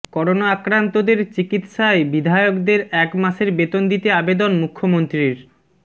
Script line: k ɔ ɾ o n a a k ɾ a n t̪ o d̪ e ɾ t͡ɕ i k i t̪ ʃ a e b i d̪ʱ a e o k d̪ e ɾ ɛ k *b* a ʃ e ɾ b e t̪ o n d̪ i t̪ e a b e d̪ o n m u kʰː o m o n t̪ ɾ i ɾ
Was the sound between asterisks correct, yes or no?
no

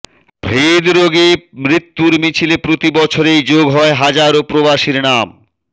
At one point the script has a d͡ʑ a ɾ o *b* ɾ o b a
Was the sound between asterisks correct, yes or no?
no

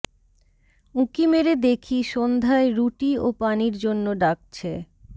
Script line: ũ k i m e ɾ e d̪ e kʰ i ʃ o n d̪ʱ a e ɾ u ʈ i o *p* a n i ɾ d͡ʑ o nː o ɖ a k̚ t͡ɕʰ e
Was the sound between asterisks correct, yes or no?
yes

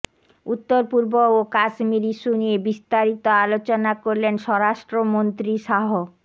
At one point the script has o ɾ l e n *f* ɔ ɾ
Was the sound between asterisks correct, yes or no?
no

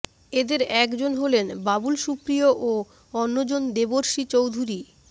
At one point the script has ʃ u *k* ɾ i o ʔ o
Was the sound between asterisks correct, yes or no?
no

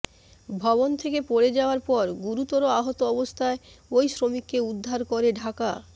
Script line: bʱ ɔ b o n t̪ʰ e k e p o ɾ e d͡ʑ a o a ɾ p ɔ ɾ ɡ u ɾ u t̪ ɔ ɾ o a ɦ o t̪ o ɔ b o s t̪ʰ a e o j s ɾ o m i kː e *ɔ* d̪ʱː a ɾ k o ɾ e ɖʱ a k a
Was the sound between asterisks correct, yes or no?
no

